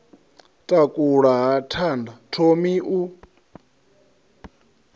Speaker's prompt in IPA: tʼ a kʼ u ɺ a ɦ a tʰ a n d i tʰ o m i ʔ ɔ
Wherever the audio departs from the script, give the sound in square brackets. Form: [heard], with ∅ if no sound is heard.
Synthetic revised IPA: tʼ a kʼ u ɺ a ɦ a tʰ a n d [a] tʰ o m i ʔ [u]